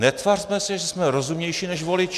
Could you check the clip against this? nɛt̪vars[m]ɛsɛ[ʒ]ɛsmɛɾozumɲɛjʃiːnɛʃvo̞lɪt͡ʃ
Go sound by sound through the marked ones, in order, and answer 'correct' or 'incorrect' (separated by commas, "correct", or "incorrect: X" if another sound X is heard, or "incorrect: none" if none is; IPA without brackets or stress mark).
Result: correct, correct